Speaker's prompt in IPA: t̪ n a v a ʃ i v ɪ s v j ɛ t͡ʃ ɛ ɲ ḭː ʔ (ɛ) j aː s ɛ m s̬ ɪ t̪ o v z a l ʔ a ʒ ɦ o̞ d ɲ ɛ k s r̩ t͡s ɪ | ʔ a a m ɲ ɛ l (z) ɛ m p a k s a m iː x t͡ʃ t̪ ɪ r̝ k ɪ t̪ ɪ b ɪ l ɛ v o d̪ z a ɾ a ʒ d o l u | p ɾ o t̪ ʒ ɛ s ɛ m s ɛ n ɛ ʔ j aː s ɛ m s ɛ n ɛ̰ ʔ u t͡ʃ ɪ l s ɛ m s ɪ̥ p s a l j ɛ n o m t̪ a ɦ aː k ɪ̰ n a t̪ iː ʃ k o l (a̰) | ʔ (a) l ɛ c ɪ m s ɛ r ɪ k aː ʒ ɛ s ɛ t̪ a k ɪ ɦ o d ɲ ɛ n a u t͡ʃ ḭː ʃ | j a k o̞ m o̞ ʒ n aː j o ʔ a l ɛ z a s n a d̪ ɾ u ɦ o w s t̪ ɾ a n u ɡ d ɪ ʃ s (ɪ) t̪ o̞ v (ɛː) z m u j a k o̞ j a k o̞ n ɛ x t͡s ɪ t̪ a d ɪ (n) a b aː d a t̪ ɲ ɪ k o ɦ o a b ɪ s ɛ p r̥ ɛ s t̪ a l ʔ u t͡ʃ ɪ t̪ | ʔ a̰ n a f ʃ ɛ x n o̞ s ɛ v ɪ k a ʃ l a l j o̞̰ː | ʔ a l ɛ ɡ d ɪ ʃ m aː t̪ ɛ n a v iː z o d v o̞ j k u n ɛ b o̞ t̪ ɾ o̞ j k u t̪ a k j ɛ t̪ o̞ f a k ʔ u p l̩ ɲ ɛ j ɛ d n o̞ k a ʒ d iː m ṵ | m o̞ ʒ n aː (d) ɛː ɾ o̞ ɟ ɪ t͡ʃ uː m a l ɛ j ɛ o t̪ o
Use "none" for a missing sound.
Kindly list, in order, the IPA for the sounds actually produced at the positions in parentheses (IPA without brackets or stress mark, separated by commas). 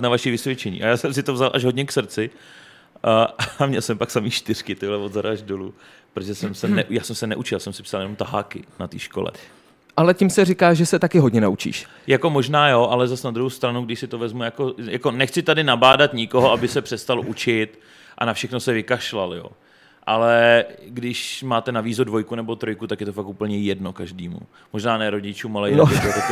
a, s, ɛ̰, a, ɪ, ɛ, n, n